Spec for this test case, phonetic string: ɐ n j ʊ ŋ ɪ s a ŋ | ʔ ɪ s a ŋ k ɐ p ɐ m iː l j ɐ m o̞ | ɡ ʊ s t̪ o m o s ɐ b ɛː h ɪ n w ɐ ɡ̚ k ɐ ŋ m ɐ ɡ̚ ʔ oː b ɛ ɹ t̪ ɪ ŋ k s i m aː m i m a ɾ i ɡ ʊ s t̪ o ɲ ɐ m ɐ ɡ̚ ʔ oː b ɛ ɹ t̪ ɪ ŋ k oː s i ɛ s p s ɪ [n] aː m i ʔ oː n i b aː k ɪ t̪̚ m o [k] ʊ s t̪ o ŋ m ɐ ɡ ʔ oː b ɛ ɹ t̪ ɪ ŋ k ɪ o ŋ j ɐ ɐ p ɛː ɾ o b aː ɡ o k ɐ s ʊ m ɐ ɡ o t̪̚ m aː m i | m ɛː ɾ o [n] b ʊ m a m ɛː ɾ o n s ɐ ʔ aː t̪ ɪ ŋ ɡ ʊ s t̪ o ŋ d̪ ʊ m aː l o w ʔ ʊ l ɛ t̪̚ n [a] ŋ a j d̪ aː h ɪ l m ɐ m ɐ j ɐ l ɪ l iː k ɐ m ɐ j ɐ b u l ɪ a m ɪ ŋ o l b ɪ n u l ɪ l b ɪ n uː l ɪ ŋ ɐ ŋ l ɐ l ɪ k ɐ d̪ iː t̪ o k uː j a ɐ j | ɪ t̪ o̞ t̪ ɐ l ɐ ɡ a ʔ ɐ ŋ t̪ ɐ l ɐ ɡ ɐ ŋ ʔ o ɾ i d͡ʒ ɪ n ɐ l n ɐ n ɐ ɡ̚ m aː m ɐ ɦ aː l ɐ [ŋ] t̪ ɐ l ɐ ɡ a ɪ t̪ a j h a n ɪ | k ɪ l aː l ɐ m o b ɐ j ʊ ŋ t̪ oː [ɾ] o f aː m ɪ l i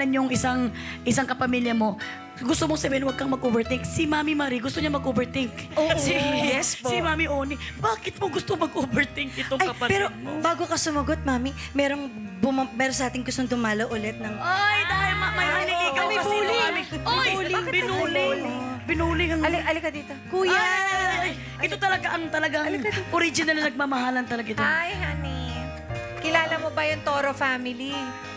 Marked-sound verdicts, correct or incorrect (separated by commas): incorrect, incorrect, incorrect, incorrect, incorrect, correct